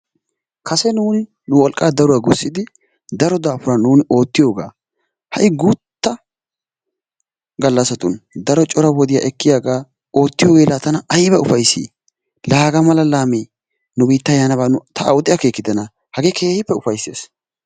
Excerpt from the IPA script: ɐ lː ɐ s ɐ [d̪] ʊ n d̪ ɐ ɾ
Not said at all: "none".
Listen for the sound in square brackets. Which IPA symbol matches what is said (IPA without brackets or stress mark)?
t̪